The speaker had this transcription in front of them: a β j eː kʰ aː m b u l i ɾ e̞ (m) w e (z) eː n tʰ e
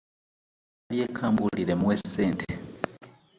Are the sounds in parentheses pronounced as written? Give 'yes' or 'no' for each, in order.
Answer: yes, no

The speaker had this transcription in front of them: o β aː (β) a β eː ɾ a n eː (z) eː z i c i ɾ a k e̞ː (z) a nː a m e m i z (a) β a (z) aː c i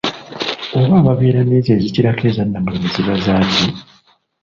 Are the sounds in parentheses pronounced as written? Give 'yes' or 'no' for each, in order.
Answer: yes, yes, yes, no, yes

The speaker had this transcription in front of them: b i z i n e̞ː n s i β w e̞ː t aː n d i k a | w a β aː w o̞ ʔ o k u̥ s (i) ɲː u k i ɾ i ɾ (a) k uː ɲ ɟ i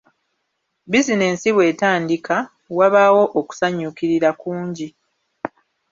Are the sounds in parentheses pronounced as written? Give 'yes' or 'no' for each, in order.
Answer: no, yes

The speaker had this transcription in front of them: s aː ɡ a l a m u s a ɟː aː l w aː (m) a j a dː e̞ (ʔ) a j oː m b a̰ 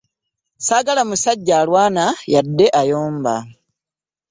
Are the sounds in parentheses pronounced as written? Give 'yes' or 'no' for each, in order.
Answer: no, yes

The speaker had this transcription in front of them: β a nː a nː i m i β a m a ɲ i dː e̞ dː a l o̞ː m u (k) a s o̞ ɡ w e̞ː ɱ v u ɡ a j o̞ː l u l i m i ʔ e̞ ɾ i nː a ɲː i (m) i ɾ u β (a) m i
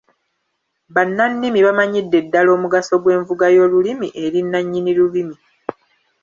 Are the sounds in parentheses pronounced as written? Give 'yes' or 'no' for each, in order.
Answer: no, no, no

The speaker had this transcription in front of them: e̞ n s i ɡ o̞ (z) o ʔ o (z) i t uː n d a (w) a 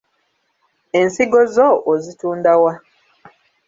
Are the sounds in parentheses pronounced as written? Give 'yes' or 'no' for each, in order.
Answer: yes, yes, yes

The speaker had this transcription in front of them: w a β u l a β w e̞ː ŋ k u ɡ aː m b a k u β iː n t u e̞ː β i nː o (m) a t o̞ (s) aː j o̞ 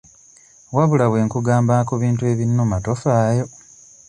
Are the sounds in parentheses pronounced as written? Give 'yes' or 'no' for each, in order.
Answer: yes, no

